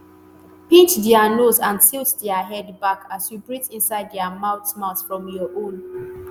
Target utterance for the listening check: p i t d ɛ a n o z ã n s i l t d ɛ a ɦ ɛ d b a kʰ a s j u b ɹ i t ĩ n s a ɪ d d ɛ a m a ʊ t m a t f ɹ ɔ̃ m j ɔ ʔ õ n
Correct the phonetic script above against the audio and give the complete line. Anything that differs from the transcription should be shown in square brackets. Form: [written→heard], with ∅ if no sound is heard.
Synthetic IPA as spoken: p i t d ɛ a n o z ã n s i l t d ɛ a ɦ ɛ d b a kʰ a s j u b ɹ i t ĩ n s a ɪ d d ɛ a m a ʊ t m a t f ɹ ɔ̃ m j ɔ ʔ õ n